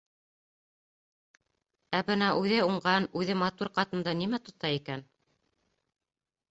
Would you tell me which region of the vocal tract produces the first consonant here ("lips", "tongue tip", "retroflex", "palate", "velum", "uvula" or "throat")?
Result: lips